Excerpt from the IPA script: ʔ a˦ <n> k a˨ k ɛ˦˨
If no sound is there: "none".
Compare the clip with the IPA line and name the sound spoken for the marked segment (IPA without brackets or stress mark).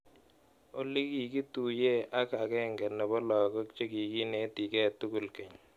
none